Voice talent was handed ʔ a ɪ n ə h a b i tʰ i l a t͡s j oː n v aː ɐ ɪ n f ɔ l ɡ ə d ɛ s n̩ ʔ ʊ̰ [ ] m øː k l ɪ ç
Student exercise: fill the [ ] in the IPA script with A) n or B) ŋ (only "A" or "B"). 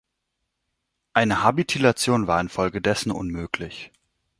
A